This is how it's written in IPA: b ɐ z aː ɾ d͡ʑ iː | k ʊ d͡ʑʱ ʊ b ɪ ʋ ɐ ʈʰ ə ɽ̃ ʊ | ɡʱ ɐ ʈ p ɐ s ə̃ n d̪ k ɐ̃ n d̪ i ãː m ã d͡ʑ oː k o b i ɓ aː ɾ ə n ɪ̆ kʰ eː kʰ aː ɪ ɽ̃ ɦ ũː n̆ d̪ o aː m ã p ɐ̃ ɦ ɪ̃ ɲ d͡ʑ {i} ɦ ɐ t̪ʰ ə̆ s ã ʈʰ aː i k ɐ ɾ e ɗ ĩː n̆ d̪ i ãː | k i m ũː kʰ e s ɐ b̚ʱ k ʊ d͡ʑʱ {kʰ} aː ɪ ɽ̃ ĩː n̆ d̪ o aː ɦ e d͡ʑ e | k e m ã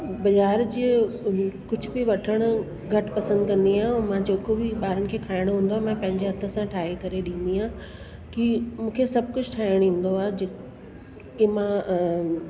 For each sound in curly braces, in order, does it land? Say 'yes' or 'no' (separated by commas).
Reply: no, no